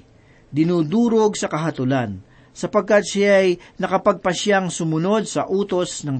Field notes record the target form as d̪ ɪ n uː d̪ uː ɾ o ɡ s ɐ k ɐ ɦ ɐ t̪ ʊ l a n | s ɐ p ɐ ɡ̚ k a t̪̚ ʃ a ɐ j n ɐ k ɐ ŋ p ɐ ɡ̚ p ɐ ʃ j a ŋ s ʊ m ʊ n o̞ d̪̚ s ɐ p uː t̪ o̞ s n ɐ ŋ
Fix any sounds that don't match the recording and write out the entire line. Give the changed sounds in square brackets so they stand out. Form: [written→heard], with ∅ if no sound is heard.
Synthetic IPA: d̪ ɪ n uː d̪ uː ɾ o ɡ s ɐ k ɐ ɦ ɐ t̪ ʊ l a n | s ɐ p ɐ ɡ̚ k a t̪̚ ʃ a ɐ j n ɐ k ɐ [ŋ→∅] p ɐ ɡ̚ p ɐ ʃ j a ŋ s ʊ m ʊ n o̞ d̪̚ s ɐ [p→ʔ] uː t̪ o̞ s n ɐ ŋ